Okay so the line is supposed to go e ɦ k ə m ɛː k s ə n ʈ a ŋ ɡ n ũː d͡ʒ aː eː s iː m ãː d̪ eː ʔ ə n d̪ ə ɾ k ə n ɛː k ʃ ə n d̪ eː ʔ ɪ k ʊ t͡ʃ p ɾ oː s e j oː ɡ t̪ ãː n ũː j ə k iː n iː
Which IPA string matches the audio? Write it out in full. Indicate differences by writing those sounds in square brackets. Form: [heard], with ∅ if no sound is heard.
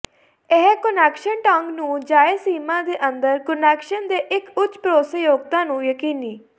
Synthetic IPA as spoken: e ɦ k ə [n] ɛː k [ʃ] ə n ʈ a ŋ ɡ n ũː d͡ʒ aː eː s iː m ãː d̪ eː ʔ ə n d̪ ə ɾ k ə n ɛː k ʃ ə n d̪ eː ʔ ɪ k ʊ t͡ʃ p ɾ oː s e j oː ɡ t̪ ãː n ũː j ə k iː n iː